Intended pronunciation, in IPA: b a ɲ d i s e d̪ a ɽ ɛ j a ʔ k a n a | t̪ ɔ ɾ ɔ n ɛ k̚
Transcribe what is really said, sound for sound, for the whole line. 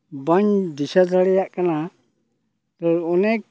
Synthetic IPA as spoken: b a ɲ d i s a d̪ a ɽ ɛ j a ʔ k a n a | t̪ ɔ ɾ ɔ n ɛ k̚

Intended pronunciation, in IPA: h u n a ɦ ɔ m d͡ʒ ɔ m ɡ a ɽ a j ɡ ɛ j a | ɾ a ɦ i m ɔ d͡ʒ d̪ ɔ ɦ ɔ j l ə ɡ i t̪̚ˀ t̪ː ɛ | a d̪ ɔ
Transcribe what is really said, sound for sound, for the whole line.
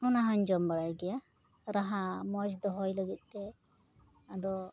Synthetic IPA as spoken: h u n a ɦ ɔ ɲ d͡ʒ ɔ m b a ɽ a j ɡ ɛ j a | ɾ a ɦ a m ɔ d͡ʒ d̪ ɔ ɦ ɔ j l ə ɡ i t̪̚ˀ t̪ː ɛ | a d̪ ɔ

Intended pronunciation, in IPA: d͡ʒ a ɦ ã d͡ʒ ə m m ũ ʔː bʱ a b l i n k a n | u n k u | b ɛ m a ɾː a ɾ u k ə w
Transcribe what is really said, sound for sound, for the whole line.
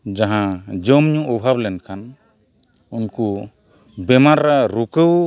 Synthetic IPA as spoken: d͡ʒ a ɦ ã d͡ʒ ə m ɲ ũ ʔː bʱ a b l ɛ n k a n | u n k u | b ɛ m a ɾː a ɾ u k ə w

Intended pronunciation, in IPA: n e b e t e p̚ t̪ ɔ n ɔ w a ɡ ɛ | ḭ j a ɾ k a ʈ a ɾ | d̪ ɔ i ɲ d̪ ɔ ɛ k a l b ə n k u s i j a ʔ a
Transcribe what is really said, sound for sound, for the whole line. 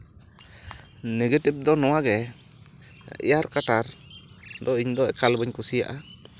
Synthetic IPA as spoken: n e ɡ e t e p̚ d̪ ɔ n ɔ w a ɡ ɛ | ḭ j a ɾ k a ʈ a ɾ | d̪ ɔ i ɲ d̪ ɔ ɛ k a l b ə ɲ k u s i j a ʔ a

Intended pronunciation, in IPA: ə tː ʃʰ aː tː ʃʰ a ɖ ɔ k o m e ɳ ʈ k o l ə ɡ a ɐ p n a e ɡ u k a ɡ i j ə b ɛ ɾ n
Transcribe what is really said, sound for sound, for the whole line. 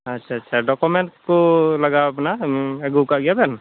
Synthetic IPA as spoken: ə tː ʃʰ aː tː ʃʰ a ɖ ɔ k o m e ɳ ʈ k o l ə ɡ a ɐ p n a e ɡ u k a ɡ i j a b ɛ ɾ n

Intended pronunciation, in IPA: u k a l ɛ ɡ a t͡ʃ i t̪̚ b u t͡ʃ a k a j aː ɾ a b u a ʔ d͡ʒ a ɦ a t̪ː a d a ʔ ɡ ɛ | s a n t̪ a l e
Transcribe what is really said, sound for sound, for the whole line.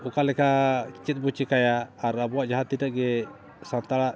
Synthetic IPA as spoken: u k a l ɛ k a t͡ʃ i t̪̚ b u t͡ʃ i k a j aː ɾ a b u a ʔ d͡ʒ a ɦ a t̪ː i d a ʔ ɡ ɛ | s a n t̪ a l a

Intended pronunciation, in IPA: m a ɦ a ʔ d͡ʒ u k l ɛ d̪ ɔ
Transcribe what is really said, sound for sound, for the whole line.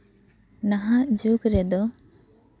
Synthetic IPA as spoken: n a ɦ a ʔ d͡ʒ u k ɾ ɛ d̪ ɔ

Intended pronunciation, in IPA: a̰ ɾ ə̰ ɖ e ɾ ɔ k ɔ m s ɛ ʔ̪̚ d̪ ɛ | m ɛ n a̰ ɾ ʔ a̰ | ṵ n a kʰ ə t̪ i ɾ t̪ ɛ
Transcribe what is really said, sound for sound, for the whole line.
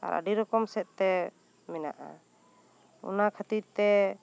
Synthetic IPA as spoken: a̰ ɾ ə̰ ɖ i ɾ ɔ k ɔ m s ɛ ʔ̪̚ t̪ ɛ | m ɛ n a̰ ʔ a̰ | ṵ n a kʰ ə t̪ i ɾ t̪ ɛ

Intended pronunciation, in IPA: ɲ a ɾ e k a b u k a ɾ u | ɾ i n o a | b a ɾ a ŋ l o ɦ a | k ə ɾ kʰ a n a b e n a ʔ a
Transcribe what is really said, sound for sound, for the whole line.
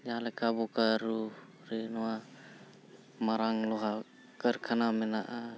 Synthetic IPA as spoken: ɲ a l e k a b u k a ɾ u | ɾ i n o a | m a ɾ a ŋ l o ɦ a | k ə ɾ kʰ a n a m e n a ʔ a

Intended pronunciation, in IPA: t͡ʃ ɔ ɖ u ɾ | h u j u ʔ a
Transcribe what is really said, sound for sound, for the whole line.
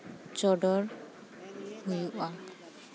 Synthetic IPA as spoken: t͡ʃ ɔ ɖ ɔ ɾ | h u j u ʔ a

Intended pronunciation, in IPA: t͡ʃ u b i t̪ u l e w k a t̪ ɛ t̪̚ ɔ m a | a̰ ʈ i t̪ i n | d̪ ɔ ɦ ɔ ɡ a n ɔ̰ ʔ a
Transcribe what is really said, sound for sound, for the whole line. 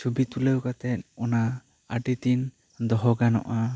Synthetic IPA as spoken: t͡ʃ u b i t̪ u l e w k a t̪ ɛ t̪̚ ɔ n a | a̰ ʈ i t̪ i n | d̪ ɔ ɦ ɔ ɡ a n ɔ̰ ʔ a

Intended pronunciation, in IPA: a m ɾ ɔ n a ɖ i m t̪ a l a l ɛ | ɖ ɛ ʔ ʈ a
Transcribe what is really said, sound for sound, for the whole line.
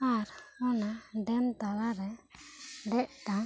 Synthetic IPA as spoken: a ɾ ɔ n a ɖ ɛ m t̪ a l a ɾ ɛ | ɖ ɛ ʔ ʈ a

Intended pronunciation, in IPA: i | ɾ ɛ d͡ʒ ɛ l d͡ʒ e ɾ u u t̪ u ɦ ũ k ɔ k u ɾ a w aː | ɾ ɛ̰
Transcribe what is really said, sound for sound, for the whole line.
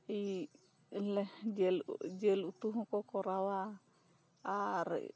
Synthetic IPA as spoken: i | l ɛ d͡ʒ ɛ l d͡ʒ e l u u t̪ u ɦ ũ k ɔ k ɔ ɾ a w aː | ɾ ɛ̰

